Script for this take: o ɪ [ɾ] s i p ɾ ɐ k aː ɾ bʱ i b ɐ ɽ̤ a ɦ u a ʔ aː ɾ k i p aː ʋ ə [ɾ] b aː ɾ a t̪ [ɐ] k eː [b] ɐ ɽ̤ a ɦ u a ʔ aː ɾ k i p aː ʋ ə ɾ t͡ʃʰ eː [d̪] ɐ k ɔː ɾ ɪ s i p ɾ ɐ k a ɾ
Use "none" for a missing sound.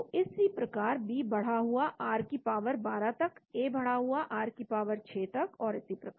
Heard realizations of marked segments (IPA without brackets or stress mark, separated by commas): none, ɾ, ɐ, b, t̪